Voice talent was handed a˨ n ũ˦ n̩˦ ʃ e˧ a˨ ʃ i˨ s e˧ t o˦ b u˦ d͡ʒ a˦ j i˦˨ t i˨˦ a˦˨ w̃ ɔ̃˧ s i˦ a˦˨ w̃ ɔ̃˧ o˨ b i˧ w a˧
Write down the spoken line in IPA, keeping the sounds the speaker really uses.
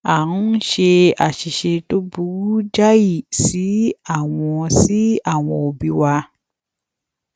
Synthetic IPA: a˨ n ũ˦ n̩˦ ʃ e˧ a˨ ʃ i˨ ʃ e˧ t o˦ b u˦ d͡ʒ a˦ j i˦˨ s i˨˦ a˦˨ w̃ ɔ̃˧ s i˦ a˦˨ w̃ ɔ̃˧ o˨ b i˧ w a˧